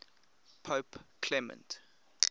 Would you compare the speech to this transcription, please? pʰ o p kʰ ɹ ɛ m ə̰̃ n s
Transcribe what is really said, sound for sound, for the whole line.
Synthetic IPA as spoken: pʰ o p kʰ l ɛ m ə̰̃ n t